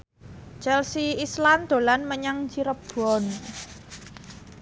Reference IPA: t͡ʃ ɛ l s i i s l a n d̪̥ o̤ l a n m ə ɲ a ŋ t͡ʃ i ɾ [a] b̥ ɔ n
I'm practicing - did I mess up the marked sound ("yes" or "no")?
yes